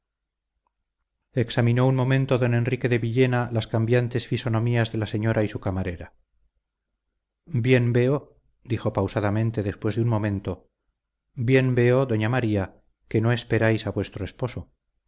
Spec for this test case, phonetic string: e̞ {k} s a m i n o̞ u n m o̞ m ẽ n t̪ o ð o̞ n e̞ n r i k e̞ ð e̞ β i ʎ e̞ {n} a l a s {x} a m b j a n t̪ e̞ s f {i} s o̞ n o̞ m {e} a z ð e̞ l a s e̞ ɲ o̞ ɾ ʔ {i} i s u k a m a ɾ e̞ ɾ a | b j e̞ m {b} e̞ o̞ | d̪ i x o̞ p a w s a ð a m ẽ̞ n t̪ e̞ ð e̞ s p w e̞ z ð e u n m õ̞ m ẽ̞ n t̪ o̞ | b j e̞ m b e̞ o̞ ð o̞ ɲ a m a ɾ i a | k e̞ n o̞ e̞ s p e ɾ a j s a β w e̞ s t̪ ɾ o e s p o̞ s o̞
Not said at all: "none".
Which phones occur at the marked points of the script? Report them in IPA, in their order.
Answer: k, n, k, i, i, a, b

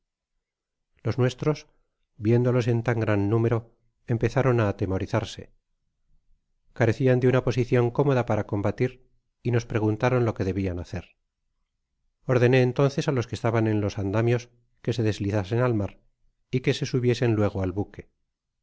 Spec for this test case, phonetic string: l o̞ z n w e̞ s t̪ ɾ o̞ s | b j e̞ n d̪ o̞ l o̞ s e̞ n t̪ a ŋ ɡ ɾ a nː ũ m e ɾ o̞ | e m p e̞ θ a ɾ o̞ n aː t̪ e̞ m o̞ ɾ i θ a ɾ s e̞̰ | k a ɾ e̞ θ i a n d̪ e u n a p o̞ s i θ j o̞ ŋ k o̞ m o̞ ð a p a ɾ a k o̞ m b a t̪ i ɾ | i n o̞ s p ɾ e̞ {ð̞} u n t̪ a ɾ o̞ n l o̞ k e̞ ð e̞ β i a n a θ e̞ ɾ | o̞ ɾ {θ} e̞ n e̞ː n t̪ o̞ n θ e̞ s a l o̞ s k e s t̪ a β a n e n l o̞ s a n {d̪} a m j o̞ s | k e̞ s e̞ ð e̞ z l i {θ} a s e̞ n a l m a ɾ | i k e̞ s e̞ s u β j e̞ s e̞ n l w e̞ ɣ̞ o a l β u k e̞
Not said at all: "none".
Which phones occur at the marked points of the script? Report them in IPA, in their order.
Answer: ɣ̞, ð, d̪, θ

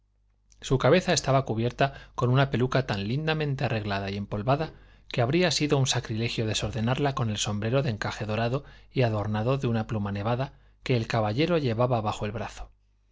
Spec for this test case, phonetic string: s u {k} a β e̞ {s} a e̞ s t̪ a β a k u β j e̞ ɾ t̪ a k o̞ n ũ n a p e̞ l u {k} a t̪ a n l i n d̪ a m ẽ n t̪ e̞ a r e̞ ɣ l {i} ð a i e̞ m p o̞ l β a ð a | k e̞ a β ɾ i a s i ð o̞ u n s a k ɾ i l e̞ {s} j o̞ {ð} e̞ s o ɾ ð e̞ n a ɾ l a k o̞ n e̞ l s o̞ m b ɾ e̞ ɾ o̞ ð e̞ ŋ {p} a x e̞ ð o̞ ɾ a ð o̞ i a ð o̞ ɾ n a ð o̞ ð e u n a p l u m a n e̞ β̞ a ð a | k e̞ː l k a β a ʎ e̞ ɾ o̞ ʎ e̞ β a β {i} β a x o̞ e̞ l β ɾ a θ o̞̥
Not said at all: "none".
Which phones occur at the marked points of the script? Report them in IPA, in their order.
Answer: k, θ, k, a, x, ð, k, a

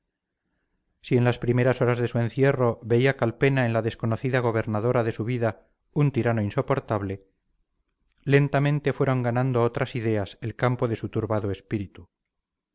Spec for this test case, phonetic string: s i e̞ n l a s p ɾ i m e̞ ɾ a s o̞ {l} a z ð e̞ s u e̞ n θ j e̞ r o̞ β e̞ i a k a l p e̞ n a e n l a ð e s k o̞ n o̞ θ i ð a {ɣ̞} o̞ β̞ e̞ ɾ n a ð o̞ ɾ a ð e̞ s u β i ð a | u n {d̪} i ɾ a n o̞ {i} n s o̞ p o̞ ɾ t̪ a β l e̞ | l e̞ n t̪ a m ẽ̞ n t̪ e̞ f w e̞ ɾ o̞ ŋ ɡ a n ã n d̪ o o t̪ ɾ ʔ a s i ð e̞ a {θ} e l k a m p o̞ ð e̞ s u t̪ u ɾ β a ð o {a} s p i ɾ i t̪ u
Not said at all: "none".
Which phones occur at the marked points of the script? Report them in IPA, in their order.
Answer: ɾ, ɣ̞, t̪, i, s, e

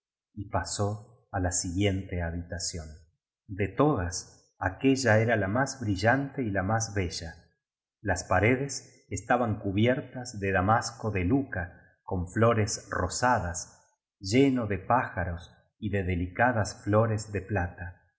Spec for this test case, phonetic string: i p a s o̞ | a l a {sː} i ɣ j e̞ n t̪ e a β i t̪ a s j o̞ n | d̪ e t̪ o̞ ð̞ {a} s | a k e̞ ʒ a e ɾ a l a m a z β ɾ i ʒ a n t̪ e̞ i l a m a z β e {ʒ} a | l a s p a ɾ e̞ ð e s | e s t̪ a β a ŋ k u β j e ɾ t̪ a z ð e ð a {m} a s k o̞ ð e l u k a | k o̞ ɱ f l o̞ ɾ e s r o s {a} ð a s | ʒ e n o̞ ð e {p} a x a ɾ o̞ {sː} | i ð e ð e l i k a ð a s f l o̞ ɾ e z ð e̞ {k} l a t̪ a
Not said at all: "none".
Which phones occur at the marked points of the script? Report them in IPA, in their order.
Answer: s, a, ʒ, m, a, p, s, p

